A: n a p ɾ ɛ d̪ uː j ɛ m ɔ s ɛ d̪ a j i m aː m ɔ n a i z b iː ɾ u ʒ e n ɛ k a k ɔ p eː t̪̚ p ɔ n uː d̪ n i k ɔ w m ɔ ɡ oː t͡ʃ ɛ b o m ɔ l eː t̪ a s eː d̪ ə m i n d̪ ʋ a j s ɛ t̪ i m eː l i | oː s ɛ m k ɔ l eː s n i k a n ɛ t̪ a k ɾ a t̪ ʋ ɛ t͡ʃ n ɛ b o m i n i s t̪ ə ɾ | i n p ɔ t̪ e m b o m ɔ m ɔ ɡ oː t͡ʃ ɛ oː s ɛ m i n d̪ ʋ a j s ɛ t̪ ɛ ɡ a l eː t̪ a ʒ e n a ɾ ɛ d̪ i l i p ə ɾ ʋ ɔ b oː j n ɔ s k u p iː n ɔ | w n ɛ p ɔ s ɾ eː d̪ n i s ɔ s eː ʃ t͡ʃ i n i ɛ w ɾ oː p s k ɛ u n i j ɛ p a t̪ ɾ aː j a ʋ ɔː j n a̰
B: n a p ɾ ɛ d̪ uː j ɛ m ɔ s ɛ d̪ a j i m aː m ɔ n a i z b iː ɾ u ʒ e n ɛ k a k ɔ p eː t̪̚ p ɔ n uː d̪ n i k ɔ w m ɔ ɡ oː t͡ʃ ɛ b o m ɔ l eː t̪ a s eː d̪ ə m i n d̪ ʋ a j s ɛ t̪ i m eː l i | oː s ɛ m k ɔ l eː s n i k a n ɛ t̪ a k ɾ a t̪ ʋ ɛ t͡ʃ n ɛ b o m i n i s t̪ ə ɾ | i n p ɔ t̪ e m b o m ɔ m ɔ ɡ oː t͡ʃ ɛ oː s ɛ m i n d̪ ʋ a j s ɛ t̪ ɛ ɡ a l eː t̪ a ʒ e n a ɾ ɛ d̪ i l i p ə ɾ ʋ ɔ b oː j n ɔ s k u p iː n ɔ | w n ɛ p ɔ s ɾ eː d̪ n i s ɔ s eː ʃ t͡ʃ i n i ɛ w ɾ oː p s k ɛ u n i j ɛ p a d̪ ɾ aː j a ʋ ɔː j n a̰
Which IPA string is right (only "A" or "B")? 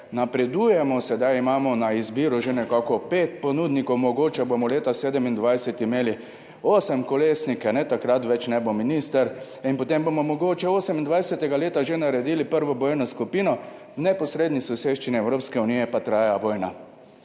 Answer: A